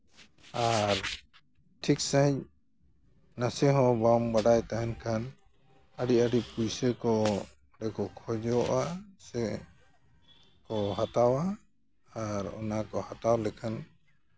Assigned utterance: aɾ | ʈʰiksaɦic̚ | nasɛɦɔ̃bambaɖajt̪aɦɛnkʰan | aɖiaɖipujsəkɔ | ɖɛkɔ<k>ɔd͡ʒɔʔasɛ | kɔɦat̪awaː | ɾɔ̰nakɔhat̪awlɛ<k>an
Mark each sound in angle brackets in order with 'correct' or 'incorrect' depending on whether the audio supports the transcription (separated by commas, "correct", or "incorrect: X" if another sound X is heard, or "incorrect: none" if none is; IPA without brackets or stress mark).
incorrect: kʰ, incorrect: kʰ